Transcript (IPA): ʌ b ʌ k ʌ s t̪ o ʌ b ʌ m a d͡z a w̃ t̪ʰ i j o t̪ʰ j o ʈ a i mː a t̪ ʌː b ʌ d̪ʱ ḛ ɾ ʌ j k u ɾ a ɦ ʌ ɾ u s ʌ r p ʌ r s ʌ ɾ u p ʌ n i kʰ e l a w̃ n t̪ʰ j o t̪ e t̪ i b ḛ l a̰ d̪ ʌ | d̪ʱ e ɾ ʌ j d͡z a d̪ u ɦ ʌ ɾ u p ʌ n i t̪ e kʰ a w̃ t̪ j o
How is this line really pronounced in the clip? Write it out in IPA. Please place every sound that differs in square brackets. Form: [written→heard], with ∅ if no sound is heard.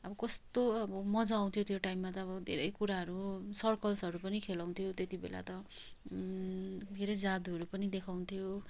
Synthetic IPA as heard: ʌ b ʌ k ʌ s t̪ o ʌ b ʌ m [a→ʌ] d͡z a w̃ t̪ʰ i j o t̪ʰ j o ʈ a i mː a t̪ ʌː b ʌ d̪ʱ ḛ ɾ ʌ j k u ɾ a ɦ ʌ ɾ u s ʌ r [p→k] ʌ [r→l] s ʌ ɾ u p ʌ n i kʰ e l a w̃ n t̪ʰ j o t̪ e t̪ i b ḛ l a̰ [d̪→t̪] ʌ | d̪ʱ e ɾ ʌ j d͡z a d̪ u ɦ ʌ ɾ u p ʌ n i [t̪→d̪] e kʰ a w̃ [t̪→t̪ʰ] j o